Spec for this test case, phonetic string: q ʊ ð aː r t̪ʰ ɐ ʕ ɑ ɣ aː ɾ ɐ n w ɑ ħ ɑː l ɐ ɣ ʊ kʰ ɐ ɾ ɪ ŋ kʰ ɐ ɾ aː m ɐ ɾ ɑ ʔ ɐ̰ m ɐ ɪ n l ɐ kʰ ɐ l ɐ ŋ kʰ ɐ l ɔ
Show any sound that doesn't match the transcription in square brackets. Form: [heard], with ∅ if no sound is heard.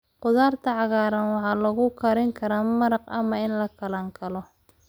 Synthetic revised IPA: q ʊ ð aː r t̪ʰ ɐ ʕ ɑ ɣ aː ɾ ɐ n w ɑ ħ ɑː l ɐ ɣ ʊ kʰ ɐ ɾ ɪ ŋ kʰ ɐ ɾ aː m ɐ ɾ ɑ [q] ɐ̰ m ɐ ɪ n l ɐ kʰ ɐ l ɐ ŋ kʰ ɐ l ɔ